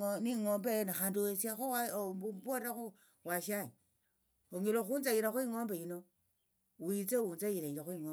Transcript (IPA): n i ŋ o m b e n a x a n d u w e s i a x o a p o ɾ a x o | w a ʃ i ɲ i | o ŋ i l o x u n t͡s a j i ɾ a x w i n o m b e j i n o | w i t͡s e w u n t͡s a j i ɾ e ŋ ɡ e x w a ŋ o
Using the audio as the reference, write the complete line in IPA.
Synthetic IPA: n i ŋ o m b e n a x a n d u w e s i a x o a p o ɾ a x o | w a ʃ a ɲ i | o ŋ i l o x u n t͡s a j i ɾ a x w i ŋ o m b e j i n o | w i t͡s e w u n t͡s a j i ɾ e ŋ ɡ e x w i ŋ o

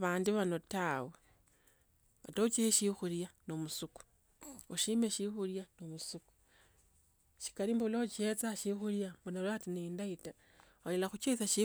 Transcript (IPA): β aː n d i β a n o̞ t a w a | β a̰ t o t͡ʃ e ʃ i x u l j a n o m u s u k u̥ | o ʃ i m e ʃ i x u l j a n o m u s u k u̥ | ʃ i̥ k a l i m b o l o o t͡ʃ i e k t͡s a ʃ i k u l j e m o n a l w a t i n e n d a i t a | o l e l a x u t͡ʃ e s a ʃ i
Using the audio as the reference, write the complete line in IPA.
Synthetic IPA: β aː n d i β a n o̞ t a w e | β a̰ t o t͡ʃ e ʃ i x u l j a n o m u s u k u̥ | o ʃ i m e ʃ i x u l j a n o m u s u k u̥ | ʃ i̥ k a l i m b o l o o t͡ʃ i e t͡s a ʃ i x u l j a m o n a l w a t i n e n d a i t a | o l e l a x u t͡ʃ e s a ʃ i

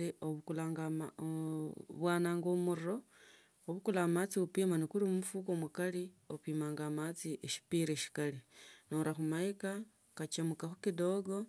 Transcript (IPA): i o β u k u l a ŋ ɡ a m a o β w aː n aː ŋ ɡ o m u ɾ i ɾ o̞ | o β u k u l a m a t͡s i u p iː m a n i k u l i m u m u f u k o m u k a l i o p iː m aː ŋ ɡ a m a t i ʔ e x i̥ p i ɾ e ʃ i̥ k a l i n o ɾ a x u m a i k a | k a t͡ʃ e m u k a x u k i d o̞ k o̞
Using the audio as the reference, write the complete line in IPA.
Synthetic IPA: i o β u k u l a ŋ ɡ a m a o β w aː n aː ŋ ɡ o m u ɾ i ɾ o̞ | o β u k u l a m a t͡s i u p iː m a n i k u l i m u m u f u k o m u k a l i o p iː m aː ŋ ɡ a m a t͡s i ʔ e ʃ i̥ p i ɾ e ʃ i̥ k a l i n o ɾ a x u m a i k a | k a t͡ʃ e m u k a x u k i d o̞ ɡ o̞

